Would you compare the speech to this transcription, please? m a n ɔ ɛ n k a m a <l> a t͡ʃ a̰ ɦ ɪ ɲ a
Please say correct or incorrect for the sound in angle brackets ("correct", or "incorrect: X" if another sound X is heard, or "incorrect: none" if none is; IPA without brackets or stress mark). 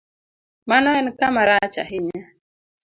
incorrect: ɾ